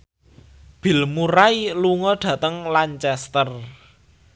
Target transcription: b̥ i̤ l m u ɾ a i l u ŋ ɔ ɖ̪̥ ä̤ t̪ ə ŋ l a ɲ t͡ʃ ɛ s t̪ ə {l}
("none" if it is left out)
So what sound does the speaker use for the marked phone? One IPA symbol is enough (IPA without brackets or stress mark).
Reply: r